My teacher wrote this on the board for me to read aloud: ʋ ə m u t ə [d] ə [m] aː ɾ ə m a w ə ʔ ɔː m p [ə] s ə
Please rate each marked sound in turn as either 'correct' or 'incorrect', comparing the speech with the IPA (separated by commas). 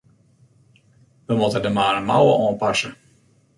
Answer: correct, correct, incorrect